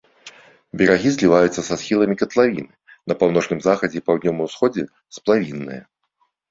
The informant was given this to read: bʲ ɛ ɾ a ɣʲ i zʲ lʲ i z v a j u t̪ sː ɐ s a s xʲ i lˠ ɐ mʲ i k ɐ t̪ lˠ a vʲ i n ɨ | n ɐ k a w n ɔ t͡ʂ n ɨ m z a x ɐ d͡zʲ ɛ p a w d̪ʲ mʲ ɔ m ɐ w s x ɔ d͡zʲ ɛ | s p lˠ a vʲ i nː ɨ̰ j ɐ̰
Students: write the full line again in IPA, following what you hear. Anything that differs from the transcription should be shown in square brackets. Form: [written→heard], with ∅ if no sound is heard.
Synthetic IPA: bʲ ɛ ɾ a ɣʲ i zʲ lʲ i [z→∅] v a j u t̪ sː ɐ s a s xʲ i lˠ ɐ mʲ i k ɐ t̪ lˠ a vʲ i n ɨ | n ɐ [k→p] a w n ɔ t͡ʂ n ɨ m z a x ɐ d͡zʲ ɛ p a w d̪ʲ [mʲ→nʲ] ɔ m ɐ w s x ɔ d͡zʲ ɛ | s p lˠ a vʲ i nː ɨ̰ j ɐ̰

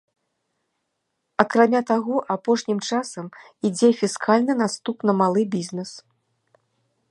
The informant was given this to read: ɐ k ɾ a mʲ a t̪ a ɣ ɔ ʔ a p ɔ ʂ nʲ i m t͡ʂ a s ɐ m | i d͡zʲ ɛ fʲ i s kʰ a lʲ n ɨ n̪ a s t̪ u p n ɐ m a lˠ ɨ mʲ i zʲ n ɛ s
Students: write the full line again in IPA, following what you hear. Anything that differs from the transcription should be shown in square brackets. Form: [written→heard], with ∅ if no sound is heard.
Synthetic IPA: ɐ k ɾ a mʲ a t̪ a ɣ ɔ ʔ a p ɔ ʂ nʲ i m t͡ʂ a s ɐ m | i d͡zʲ ɛ fʲ i s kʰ a lʲ n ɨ n̪ a s t̪ u p n ɐ m a lˠ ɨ [mʲ→bʲ] i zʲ n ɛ s

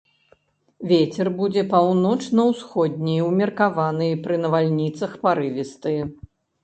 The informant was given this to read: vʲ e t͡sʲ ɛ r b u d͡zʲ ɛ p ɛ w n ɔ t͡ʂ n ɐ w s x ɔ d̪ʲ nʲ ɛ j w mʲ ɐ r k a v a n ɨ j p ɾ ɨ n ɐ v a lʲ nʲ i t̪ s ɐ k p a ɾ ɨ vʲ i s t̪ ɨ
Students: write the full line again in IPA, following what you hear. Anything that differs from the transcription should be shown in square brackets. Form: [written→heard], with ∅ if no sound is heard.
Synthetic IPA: vʲ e t͡sʲ ɛ r b u d͡zʲ ɛ p [ɛ→a] w n ɔ t͡ʂ n ɐ w s x ɔ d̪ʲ nʲ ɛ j w mʲ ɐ r k a v a n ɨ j p ɾ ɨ n ɐ v a lʲ nʲ i t̪ s ɐ [k→x] p a ɾ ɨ vʲ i s t̪ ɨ

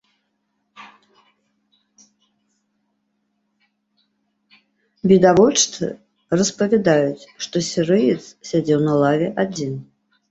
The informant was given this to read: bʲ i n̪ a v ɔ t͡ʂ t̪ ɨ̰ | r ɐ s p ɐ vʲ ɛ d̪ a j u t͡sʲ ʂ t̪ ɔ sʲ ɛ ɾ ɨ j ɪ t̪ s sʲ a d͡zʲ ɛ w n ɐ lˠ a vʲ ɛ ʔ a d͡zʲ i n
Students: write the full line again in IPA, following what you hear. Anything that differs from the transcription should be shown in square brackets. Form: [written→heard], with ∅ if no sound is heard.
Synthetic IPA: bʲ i [n̪→d̪] a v ɔ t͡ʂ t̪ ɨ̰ | r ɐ s p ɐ vʲ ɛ d̪ a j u t͡sʲ ʂ t̪ ɔ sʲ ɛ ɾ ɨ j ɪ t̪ s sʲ a d͡zʲ ɛ w n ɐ lˠ a vʲ ɛ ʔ a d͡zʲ i n

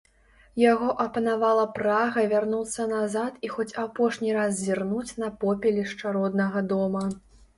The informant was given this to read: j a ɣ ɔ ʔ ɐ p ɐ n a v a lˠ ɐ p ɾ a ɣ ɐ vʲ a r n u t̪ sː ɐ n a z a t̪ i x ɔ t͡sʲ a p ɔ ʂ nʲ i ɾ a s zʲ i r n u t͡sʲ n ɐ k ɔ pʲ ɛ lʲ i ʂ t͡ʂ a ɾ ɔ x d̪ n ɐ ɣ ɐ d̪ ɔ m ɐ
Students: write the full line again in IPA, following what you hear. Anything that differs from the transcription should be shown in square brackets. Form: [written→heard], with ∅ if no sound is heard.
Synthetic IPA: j a ɣ ɔ ʔ ɐ p ɐ n a v a lˠ ɐ p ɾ a ɣ ɐ vʲ a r n u t̪ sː ɐ n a z a t̪ i x ɔ t͡sʲ a p ɔ ʂ nʲ i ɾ a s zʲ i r n u t͡sʲ n ɐ [k→p] ɔ pʲ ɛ lʲ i ʂ t͡ʂ a ɾ ɔ [x→∅] d̪ n ɐ ɣ ɐ d̪ ɔ m ɐ

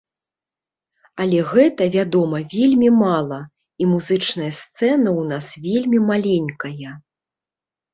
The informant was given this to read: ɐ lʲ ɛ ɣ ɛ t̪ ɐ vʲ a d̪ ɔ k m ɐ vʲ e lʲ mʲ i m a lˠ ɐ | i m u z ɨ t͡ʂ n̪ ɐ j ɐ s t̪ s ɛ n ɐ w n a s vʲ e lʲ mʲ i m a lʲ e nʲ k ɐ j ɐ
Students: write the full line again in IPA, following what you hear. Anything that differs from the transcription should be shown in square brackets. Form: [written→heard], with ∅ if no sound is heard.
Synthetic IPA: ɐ lʲ ɛ ɣ ɛ t̪ ɐ vʲ a d̪ ɔ [k→∅] m ɐ vʲ e lʲ mʲ i m a lˠ ɐ | i m u z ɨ t͡ʂ n̪ ɐ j ɐ s t̪ s ɛ n ɐ w n a s vʲ e lʲ mʲ i m a lʲ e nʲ k ɐ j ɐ

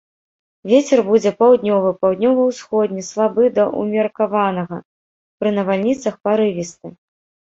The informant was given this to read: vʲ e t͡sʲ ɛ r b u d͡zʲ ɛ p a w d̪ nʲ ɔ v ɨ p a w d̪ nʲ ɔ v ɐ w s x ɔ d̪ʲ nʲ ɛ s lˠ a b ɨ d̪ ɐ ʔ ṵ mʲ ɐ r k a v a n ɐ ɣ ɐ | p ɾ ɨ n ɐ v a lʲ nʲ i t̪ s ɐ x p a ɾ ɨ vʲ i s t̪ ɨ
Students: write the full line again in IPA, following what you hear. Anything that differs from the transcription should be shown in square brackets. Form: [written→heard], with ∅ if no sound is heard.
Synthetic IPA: vʲ e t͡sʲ ɛ r b u d͡zʲ ɛ p a w d̪ nʲ ɔ v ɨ p a w d̪ nʲ ɔ v ɐ w s x ɔ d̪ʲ nʲ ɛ s lˠ a b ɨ d̪ ɐ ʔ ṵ mʲ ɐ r k a v a n ɐ ɣ ɐ | p ɾ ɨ n ɐ v a lʲ nʲ i t̪ s ɐ x p a ɾ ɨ vʲ i s t̪ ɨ

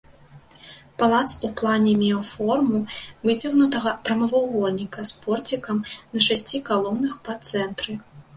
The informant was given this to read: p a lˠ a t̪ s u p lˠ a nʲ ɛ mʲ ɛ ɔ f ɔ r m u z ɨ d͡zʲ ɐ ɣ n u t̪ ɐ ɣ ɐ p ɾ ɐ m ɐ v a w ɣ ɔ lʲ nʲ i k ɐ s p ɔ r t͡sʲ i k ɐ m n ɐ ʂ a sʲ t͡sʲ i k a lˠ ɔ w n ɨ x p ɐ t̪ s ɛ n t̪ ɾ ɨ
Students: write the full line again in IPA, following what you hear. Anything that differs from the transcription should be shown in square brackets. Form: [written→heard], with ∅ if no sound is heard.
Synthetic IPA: p a lˠ a t̪ s u p lˠ a nʲ ɛ mʲ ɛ ɔ f ɔ r m u [z→v] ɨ d͡zʲ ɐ ɣ n u t̪ ɐ ɣ ɐ p ɾ ɐ m ɐ v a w ɣ ɔ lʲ nʲ i k ɐ s p ɔ r t͡sʲ i k ɐ m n ɐ ʂ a sʲ t͡sʲ i k a lˠ ɔ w n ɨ x p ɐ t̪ s ɛ n t̪ ɾ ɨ

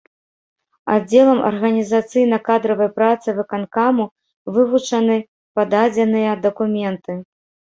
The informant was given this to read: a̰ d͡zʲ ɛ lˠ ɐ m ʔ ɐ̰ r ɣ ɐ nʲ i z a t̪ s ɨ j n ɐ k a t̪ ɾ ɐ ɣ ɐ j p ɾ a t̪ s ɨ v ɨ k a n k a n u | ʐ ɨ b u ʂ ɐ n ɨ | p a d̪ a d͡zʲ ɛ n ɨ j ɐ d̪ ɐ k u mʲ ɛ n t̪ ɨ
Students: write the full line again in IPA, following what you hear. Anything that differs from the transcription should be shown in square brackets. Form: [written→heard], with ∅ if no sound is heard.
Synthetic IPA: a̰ d͡zʲ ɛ lˠ ɐ m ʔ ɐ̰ r ɣ ɐ nʲ i z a t̪ s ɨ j n ɐ k a [t̪→d̪] ɾ ɐ [ɣ→v] ɐ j p ɾ a t̪ s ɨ v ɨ k a n k a [n→m] u | [ʐ→v] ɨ [b→v] u [ʂ→t͡ʂ] ɐ n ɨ | p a d̪ a d͡zʲ ɛ n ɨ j ɐ d̪ ɐ k u mʲ ɛ n t̪ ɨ

